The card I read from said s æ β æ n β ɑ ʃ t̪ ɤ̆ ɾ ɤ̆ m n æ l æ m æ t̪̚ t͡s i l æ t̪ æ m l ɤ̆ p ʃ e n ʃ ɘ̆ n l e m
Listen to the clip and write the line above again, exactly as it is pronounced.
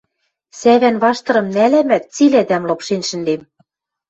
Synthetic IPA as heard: s æ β æ n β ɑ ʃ t̪ ɤ̆ ɾ ɤ̆ m n æ l æ m æ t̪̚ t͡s i l æ d̪ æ m l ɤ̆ p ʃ e n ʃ ɘ̆ n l e m